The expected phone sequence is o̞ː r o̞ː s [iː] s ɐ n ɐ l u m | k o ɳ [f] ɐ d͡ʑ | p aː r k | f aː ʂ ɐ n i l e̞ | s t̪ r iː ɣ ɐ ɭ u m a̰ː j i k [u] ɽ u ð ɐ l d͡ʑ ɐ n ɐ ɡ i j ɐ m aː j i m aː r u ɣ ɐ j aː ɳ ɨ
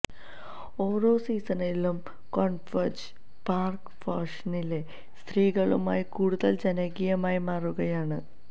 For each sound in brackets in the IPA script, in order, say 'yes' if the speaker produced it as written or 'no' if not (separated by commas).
yes, yes, no